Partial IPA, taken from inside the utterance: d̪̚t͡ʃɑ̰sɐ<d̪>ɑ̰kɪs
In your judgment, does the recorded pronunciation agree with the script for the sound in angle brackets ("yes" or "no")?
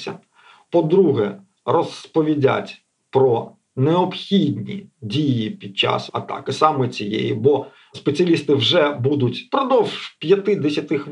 no